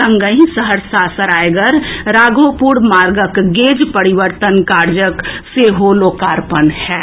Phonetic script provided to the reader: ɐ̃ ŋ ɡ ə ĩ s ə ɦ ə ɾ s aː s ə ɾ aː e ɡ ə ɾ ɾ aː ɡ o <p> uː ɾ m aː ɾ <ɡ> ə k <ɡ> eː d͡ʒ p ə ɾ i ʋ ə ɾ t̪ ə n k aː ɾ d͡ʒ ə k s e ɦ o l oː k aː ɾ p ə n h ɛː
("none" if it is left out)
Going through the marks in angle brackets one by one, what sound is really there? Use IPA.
p, ɡ, ɡ

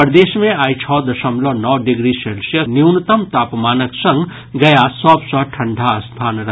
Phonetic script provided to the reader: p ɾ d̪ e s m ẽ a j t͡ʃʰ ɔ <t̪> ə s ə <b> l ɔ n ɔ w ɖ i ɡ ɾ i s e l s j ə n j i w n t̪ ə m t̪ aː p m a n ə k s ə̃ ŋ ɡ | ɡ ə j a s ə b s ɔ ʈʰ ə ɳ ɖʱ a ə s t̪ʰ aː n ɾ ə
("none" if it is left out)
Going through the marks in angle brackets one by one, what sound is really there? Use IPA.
d̪, m

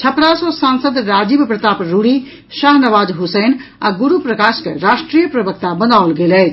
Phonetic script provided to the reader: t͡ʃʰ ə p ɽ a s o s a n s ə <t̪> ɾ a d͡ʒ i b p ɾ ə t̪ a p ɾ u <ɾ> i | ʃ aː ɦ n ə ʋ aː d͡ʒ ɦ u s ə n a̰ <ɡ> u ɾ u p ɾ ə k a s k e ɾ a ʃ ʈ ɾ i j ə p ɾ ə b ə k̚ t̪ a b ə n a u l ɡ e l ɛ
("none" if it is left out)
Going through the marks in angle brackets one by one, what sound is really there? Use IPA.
d̪, ɽ, ɡ

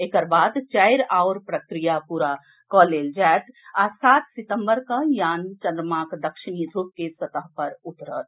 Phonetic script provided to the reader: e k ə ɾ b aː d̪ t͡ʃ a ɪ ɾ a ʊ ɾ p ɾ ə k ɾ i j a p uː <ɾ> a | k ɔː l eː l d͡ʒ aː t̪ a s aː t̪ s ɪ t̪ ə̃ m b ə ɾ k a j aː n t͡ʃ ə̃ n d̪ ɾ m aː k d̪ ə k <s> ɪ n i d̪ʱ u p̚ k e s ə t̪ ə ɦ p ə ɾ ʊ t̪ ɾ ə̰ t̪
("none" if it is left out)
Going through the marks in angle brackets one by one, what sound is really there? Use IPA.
ɾ, ʃ

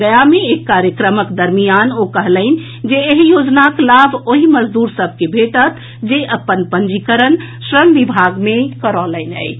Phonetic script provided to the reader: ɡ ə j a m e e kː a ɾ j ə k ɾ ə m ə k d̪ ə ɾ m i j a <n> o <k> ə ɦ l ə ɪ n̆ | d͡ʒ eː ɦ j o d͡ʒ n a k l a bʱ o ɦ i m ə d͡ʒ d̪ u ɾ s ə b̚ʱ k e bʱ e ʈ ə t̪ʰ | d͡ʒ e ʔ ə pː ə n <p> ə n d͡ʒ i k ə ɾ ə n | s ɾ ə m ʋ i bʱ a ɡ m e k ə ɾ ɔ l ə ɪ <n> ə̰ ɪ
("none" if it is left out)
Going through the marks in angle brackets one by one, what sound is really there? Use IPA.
n, k, p, n

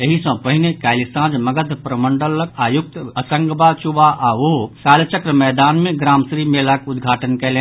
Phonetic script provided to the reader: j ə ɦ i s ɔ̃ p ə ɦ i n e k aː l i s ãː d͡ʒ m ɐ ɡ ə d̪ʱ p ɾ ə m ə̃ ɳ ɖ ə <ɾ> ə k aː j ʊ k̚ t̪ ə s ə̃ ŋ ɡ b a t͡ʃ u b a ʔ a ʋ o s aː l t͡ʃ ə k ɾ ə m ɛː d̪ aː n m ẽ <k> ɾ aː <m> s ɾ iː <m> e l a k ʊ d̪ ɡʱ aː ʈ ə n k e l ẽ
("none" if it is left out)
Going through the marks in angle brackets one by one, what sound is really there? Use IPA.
l, ɡ, m, m

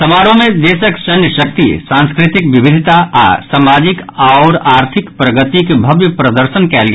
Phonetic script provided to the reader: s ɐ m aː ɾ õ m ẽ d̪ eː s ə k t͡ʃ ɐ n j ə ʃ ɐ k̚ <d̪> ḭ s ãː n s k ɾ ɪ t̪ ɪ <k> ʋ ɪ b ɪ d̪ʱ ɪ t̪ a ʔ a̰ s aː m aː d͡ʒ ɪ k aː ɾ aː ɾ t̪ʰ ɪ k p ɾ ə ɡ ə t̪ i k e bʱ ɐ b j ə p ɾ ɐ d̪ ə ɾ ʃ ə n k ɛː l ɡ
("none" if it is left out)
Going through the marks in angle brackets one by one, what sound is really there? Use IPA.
t̪, k

